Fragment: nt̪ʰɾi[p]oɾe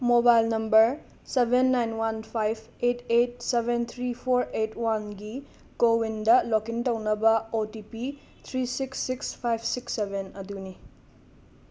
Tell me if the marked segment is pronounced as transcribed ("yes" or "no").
no